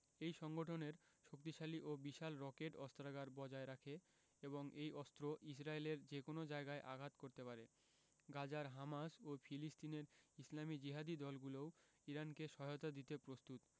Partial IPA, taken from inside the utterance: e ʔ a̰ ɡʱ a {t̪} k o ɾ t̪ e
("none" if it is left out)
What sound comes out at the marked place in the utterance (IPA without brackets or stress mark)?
t̪